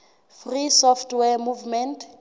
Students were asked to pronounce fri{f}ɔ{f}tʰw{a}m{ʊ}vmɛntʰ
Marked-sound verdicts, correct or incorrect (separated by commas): incorrect, correct, incorrect, incorrect